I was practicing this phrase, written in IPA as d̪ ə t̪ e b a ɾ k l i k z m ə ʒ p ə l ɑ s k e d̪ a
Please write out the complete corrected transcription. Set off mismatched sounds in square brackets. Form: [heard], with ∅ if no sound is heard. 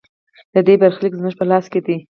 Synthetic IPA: d̪ ə [d̪] e b a ɾ [x] l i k z m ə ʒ p ə l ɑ s k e d̪ [i]